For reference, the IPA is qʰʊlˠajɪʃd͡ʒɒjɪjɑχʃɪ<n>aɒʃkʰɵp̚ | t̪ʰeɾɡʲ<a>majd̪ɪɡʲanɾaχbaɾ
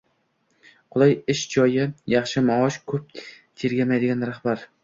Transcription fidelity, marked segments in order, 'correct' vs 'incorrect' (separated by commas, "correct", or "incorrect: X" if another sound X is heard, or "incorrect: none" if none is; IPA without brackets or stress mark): incorrect: m, correct